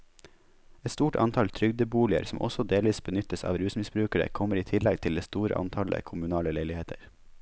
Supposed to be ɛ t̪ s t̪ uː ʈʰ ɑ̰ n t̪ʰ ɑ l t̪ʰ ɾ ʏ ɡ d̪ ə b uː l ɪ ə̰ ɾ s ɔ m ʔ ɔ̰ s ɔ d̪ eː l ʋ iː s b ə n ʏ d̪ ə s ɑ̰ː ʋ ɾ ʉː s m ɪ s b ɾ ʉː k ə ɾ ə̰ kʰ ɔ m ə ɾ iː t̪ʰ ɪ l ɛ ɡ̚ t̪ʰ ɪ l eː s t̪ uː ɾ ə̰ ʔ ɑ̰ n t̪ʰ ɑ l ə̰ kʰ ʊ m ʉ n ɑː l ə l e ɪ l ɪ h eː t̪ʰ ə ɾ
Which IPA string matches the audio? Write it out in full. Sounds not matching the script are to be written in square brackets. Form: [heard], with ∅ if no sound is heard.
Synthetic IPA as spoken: ɛ t̪ s t̪ uː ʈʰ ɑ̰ n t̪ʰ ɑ l t̪ʰ ɾ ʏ ɡ d̪ ə b uː l ɪ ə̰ ɾ s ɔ m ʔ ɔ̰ s ɔ d̪ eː l ʋ iː s b ə n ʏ [t̪] ə s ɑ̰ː ʋ ɾ ʉː s m ɪ s b ɾ ʉː k ə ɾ ə̰ kʰ ɔ m ə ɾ iː t̪ʰ ɪ l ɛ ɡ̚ t̪ʰ ɪ l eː s t̪ uː ɾ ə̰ ʔ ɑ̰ n t̪ʰ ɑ l ə̰ kʰ ʊ m ʉ n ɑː l ə l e ɪ l ɪ h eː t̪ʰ ə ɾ